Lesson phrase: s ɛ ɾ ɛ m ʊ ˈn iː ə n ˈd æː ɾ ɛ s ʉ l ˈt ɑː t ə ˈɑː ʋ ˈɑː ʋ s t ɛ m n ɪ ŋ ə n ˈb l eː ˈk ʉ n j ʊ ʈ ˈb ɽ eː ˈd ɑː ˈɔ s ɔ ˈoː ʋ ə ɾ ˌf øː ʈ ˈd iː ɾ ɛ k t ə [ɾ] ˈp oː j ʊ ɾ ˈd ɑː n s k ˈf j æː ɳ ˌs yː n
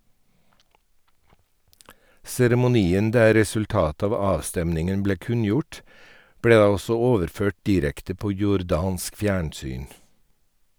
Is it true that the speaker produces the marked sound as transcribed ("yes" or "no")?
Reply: no